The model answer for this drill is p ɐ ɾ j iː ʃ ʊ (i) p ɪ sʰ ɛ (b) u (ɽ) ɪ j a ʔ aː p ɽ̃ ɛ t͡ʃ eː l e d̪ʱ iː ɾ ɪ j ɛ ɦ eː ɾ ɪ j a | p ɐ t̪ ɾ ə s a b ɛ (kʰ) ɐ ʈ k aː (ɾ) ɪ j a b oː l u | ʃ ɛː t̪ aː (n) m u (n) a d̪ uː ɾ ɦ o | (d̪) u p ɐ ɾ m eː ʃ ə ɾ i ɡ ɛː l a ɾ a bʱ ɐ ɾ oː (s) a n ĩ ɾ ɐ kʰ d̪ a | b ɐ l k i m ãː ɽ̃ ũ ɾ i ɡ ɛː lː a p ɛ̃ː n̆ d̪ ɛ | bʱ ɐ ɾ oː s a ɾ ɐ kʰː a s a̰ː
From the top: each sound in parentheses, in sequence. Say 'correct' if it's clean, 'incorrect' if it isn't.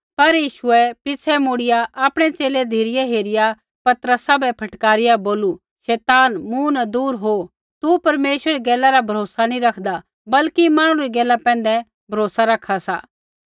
incorrect, incorrect, correct, incorrect, correct, correct, correct, incorrect, correct

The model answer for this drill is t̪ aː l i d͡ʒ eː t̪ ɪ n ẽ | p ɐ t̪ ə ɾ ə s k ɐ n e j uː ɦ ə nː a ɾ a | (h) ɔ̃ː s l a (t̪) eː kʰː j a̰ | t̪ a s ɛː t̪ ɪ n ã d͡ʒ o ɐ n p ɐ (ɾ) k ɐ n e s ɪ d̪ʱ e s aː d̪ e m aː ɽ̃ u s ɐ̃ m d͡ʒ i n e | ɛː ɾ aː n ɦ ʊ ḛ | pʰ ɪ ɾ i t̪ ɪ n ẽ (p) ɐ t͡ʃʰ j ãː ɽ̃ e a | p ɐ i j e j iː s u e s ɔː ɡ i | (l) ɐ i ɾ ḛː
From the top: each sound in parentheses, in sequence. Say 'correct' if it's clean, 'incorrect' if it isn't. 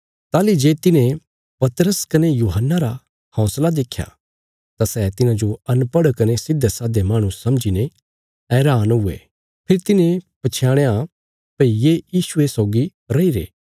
correct, incorrect, incorrect, correct, incorrect

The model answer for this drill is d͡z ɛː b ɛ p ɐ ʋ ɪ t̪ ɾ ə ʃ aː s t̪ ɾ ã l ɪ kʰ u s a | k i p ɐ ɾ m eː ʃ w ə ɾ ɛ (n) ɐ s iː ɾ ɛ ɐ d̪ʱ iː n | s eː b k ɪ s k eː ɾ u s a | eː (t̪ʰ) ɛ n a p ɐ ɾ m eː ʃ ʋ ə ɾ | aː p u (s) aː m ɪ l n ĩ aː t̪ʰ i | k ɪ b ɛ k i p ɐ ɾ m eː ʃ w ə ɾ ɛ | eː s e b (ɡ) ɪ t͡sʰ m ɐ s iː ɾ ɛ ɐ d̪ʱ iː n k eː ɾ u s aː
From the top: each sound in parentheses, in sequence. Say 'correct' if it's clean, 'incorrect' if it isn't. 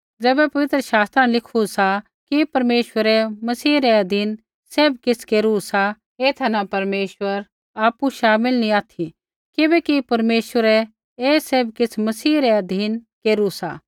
incorrect, correct, incorrect, incorrect

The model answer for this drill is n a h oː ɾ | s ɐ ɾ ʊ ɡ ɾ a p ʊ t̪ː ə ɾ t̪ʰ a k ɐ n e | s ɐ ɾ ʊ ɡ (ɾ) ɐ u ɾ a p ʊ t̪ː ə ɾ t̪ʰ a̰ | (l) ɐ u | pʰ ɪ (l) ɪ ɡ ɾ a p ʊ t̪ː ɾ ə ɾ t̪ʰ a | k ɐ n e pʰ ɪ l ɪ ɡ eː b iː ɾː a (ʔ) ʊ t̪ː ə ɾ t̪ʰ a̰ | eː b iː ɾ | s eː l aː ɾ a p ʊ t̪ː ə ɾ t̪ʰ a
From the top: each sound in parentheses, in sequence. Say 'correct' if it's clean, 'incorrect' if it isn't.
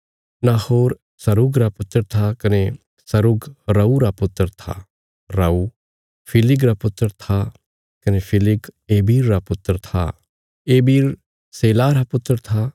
correct, incorrect, correct, incorrect

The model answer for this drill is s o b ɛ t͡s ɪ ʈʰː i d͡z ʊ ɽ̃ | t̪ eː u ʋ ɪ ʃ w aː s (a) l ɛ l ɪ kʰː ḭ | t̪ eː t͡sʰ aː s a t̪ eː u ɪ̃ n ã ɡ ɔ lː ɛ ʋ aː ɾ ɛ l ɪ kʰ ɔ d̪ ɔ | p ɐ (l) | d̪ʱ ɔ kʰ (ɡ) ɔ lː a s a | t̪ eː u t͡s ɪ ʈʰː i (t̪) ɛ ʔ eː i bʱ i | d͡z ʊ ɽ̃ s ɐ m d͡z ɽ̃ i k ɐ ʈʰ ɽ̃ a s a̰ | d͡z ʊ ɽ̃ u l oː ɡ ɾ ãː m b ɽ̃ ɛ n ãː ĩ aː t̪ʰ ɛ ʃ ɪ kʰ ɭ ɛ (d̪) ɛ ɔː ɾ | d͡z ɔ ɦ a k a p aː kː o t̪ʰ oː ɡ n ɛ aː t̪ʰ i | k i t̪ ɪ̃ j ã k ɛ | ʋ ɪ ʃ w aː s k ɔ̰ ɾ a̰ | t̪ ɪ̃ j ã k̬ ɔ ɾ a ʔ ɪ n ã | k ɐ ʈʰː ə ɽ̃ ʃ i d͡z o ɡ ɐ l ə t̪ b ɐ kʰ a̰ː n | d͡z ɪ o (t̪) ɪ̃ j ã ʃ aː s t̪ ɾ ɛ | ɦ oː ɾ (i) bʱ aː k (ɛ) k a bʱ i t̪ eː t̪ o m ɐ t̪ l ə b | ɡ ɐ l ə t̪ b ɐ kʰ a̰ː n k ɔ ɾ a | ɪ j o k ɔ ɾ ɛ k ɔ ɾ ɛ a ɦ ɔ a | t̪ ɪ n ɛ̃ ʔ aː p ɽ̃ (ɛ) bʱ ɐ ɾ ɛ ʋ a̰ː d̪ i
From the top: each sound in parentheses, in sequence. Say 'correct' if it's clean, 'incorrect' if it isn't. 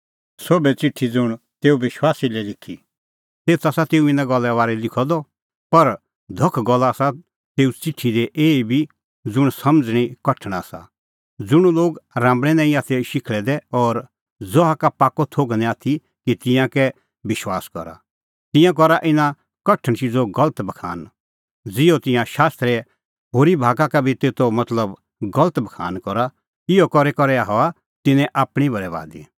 incorrect, incorrect, correct, incorrect, correct, correct, correct, incorrect, incorrect

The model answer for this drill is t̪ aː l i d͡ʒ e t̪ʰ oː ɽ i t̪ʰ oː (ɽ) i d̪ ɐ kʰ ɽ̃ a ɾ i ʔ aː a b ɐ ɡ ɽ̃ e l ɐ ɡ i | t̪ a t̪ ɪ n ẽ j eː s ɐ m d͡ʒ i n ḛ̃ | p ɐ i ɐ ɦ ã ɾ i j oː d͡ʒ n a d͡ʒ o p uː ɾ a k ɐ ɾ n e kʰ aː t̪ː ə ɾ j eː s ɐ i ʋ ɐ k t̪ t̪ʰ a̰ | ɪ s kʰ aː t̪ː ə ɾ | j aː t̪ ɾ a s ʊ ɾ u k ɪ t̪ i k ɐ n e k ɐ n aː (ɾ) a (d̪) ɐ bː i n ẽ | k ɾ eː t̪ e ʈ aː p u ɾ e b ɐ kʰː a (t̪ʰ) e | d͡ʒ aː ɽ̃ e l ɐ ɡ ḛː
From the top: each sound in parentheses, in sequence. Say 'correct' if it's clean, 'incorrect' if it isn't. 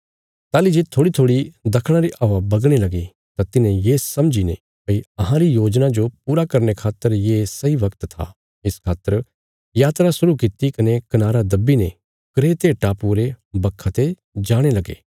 correct, correct, correct, incorrect

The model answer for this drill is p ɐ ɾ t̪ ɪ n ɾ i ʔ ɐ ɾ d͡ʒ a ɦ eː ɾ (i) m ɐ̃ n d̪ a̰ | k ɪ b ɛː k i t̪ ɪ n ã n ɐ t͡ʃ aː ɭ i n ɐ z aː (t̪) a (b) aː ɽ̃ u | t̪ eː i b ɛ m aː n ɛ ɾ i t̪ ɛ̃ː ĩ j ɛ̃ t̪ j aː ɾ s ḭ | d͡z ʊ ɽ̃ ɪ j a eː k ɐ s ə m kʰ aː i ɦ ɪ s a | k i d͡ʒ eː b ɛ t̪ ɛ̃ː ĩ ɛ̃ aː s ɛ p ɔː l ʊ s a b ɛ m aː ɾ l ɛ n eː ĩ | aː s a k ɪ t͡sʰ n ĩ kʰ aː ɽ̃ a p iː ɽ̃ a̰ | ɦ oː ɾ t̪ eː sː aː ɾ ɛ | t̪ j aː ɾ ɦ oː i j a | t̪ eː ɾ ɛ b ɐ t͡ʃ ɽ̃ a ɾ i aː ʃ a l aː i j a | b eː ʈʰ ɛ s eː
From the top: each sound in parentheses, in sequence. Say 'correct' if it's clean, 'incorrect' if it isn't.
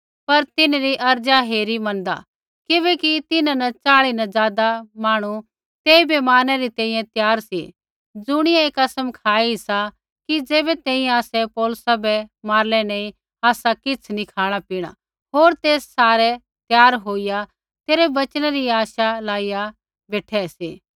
correct, incorrect, incorrect

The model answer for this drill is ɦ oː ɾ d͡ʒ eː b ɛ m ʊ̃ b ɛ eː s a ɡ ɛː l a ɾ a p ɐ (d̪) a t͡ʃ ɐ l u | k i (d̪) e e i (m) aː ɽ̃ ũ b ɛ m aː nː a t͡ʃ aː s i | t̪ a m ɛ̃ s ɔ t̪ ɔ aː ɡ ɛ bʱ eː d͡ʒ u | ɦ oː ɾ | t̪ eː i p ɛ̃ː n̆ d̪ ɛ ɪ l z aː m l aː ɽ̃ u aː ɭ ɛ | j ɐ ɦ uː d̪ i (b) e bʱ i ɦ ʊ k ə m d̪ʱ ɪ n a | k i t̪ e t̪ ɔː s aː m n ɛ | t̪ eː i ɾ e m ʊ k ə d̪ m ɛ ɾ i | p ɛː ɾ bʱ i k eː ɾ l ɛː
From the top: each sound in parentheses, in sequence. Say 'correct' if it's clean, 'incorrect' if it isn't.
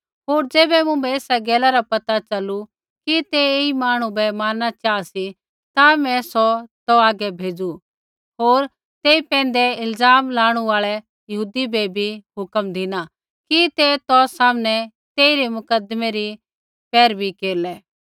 incorrect, incorrect, correct, correct

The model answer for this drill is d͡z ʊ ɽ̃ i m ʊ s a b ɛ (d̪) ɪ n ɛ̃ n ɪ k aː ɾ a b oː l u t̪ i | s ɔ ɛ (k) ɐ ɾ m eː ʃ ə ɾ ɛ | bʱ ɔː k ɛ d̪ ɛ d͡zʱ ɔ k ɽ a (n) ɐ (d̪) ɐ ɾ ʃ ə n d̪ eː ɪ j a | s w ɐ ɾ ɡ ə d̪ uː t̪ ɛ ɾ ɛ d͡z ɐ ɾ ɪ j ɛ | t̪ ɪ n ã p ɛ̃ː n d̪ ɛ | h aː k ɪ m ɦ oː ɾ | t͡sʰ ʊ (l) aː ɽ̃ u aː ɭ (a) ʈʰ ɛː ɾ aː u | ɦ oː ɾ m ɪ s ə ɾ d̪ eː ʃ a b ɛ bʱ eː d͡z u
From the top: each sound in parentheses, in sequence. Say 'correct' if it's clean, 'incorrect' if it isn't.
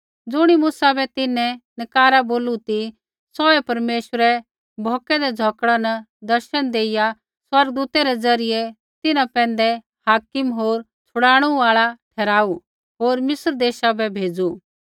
incorrect, incorrect, correct, correct, incorrect, correct

